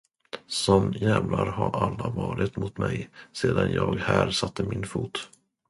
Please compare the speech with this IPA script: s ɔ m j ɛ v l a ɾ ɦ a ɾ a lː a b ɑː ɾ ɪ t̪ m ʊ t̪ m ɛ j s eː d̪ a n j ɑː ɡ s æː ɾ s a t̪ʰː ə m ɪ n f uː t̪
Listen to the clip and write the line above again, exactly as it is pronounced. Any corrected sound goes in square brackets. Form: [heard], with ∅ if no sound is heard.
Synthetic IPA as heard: s ɔ m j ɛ v l a ɾ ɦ a ɾ a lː a [v] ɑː ɾ ɪ t̪ m ʊ t̪ m ɛ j s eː d̪ a n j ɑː ɡ [h] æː ɾ s a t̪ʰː ə m ɪ n f uː t̪